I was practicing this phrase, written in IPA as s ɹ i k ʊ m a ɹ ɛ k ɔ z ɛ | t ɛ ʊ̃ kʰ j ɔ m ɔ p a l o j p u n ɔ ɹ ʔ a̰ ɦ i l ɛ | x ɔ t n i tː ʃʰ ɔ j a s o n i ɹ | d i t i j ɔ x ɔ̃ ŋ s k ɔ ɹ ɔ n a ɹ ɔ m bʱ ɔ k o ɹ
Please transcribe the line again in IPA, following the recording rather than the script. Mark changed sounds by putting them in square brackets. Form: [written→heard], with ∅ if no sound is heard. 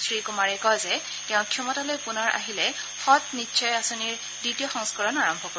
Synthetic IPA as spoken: s ɹ i k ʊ m a ɹ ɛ k ɔ z ɛ | t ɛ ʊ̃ kʰ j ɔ m ɔ [p→t] a l o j p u n ɔ ɹ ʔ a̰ ɦ i l ɛ | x ɔ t n i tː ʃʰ ɔ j a s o n i ɹ | d i t i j ɔ x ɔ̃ ŋ s k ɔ ɹ ɔ n a ɹ ɔ m bʱ ɔ k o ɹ